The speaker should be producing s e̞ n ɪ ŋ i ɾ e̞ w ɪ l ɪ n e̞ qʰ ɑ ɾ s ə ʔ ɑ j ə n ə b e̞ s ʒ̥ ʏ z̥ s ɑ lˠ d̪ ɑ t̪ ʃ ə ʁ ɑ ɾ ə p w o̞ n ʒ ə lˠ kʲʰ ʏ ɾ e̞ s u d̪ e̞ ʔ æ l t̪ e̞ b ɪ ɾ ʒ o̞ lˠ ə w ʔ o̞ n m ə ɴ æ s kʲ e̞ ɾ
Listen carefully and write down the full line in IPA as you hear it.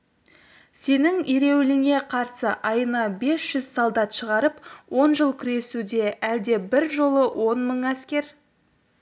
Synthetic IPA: s e̞ n ɪ ŋ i ɾ e̞ w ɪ l ɪ ŋ e̞ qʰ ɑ ɾ s ə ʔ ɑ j ə n ɑ b e̞ s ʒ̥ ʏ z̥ s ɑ lˠ d̪ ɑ t̪ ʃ ə ʁ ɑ ɾ ə p w o̞ n ʒ ə lˠ kʲʰ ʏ ɾ e̞ s u d̪ e̞ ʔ æ l d̪ e̞ b ɪ ɾ ʒ o̞ lˠ ə w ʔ o̞ n m ə ɴ æ s kʲ e̞ ɾ